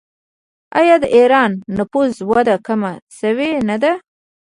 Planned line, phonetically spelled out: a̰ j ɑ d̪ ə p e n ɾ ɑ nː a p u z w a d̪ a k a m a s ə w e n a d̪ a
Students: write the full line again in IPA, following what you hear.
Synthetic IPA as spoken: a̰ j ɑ d̪ ə ʔ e ɾ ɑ nː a p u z w a d̪ a k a m a s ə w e n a d̪ a